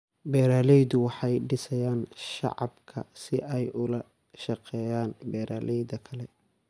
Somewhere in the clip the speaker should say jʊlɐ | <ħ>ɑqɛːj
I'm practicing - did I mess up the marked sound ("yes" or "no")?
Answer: yes